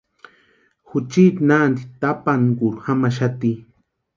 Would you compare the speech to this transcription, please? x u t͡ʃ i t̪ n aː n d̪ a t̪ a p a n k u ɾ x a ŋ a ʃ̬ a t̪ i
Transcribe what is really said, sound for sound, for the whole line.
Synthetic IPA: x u t͡ʃ i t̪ n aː n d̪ i t̪ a p a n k u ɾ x a m a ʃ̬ a t̪ i